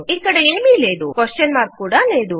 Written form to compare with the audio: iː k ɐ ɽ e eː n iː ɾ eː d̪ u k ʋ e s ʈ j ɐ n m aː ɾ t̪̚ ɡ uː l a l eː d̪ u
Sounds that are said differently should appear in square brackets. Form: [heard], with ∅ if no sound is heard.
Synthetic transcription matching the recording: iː k ɐ ɽ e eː [m] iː [l] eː d̪ u k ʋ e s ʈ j ɐ n m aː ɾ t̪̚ [k] uː [ɽ] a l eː d̪ u